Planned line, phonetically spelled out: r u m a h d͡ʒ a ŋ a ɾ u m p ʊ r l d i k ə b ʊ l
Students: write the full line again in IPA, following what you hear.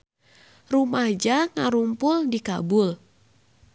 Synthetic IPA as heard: r u m a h d͡ʒ a ŋ a ɾ u m p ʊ l d i k a b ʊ l